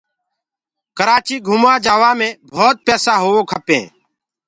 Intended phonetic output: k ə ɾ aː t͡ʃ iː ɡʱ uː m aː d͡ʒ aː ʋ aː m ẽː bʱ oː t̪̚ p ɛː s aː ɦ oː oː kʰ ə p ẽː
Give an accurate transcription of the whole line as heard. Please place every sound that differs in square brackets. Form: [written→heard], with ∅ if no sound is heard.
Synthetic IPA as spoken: k ə ɾ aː t͡ʃ iː ɡʱ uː m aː d͡ʒ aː ʋ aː m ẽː bʱ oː t̪̚ p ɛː s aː ɦ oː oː kʰ ə p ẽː